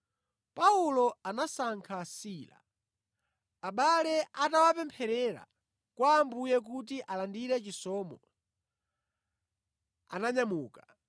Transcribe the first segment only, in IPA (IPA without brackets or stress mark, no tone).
p